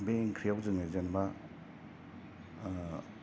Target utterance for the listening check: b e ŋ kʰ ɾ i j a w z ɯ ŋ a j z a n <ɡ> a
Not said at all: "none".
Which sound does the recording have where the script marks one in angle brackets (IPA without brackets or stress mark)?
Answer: b